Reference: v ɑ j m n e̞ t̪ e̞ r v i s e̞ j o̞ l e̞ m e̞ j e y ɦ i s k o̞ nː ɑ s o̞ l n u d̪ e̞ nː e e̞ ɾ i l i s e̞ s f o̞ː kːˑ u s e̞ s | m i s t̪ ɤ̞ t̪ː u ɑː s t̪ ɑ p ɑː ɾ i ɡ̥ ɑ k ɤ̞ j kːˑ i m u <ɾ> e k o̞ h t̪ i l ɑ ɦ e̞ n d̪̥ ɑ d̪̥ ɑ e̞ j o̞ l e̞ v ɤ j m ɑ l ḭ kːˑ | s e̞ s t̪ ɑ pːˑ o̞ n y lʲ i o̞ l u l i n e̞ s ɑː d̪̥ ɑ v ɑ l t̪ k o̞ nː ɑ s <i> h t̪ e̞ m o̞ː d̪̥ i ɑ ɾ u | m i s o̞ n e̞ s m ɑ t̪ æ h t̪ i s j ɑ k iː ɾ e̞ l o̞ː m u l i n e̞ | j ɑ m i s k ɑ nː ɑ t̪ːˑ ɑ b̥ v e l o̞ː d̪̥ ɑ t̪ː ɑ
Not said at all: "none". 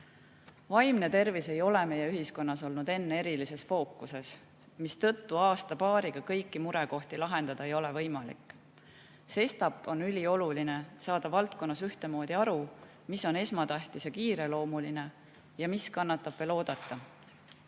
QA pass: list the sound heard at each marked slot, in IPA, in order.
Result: ɾ, y

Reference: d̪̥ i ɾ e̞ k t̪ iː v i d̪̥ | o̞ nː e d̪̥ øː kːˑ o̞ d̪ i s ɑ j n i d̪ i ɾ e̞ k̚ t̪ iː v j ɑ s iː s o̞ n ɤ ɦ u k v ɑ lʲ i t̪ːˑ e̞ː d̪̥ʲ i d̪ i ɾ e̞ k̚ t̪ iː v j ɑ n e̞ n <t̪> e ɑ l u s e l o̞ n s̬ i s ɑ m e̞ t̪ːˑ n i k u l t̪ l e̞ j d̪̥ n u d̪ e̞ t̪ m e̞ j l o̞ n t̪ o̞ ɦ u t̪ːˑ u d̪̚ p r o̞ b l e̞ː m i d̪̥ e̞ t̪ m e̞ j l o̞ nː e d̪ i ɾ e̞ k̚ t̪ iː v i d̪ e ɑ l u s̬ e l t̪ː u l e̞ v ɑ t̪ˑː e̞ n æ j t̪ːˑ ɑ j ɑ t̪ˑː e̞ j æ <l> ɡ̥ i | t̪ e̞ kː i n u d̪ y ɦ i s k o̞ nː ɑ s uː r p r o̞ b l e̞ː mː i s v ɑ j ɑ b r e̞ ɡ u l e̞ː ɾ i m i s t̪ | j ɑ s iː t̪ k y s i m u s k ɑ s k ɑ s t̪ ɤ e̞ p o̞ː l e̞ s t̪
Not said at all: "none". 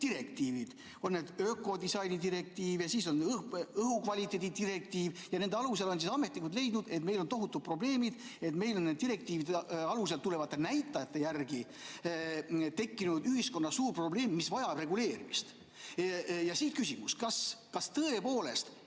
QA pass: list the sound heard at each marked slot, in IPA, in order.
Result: d̪, r

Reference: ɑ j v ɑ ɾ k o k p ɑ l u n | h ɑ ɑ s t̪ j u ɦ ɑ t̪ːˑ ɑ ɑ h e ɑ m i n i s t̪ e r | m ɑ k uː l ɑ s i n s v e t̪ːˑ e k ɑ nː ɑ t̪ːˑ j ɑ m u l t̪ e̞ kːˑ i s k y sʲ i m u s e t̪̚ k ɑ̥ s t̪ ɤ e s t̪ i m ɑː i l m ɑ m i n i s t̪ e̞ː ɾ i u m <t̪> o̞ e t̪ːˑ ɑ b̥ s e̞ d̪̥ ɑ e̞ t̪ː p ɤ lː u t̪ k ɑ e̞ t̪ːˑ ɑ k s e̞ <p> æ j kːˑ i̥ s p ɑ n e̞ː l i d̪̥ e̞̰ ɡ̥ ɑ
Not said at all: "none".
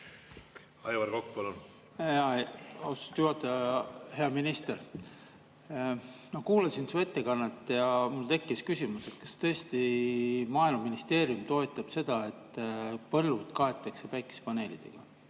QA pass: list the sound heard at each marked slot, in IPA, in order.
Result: t̪, p

